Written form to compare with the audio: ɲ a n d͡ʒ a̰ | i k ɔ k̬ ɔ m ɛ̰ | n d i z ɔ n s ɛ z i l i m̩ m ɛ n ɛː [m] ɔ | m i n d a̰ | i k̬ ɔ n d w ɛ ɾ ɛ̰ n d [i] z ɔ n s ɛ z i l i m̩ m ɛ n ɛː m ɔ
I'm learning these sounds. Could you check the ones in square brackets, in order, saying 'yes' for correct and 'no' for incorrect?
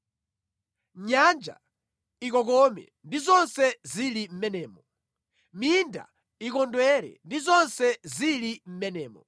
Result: yes, yes

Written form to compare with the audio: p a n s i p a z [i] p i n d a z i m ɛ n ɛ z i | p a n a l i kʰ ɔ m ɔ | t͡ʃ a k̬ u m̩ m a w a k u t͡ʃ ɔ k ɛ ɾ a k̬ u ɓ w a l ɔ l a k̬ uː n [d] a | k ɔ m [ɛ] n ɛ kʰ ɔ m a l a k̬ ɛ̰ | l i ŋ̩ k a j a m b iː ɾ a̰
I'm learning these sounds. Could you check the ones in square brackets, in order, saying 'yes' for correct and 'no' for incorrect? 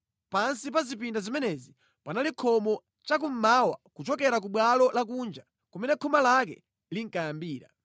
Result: yes, no, yes

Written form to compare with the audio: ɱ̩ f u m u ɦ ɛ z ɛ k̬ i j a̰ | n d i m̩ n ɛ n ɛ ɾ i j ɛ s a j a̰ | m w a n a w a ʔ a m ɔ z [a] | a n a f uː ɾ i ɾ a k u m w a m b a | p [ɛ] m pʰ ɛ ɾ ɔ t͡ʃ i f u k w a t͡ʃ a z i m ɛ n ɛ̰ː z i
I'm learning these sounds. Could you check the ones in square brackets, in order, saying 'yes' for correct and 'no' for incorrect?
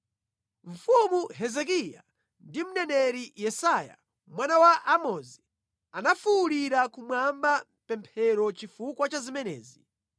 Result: no, yes

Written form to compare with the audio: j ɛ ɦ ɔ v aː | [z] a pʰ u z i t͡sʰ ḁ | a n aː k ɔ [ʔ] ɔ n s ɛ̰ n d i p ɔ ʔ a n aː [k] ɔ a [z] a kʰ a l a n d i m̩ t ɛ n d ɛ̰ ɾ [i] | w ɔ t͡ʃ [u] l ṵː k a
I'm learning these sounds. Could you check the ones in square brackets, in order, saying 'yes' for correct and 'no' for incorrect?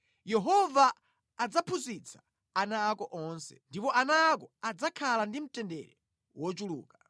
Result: no, yes, yes, no, no, yes

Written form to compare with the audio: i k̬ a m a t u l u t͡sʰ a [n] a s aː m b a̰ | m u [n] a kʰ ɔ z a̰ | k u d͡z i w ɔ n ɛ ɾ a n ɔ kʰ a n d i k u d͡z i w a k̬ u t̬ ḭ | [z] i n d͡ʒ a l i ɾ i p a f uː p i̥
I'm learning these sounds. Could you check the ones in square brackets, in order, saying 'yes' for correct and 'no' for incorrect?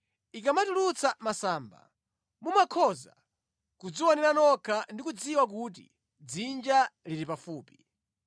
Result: no, no, no

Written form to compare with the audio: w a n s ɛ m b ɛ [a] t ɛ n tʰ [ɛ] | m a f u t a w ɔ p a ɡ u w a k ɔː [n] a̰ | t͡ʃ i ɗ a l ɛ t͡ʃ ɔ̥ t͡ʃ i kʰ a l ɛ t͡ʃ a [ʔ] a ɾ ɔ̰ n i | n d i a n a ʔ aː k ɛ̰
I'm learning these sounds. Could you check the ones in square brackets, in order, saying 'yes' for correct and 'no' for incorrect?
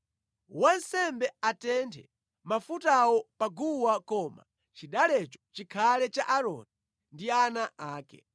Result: yes, yes, no, yes

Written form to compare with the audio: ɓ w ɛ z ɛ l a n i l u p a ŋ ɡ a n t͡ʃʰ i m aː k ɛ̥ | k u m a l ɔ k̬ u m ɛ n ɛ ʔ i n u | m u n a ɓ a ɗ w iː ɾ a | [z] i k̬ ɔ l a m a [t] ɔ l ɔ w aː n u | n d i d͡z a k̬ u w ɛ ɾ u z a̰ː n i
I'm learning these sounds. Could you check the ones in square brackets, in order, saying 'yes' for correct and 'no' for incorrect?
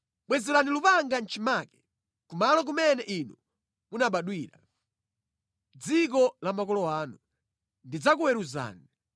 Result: no, no

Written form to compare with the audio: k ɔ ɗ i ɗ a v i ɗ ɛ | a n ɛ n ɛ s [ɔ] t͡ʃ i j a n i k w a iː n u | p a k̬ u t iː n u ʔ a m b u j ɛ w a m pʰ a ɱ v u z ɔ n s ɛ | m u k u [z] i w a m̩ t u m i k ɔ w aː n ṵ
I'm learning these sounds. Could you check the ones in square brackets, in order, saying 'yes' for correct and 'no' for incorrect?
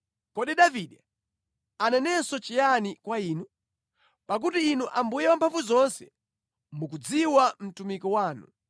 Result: yes, no

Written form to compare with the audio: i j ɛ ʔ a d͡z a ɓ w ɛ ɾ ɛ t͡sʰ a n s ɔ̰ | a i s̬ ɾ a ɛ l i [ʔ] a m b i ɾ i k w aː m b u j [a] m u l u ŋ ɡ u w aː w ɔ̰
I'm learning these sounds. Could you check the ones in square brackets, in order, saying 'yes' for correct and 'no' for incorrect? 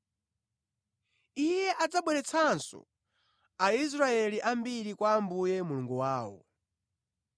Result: yes, no

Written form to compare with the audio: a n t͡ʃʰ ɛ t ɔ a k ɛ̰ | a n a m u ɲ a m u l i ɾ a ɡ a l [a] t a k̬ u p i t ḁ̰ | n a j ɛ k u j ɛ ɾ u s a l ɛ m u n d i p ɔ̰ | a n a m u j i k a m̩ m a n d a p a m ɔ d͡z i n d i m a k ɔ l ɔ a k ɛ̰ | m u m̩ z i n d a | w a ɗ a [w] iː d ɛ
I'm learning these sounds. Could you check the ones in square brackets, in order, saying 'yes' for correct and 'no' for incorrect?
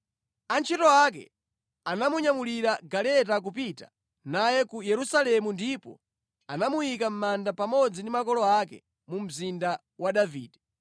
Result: no, no

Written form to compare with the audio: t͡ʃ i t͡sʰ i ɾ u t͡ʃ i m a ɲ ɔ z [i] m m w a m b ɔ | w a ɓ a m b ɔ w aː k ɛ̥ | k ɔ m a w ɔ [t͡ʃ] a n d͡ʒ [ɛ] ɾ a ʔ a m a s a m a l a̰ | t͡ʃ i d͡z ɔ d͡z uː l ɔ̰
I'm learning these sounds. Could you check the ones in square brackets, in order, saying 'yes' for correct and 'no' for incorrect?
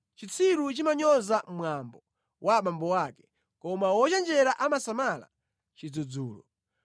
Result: no, yes, yes

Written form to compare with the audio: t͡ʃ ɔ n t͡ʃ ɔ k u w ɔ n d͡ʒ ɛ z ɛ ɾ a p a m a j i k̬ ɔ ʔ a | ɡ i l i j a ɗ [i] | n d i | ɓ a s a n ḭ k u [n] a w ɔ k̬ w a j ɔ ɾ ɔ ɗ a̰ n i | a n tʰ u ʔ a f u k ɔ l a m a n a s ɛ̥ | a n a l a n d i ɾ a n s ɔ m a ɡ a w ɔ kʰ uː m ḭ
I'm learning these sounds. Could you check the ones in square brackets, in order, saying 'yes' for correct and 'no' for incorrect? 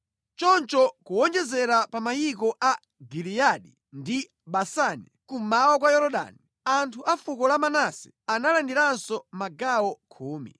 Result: yes, no

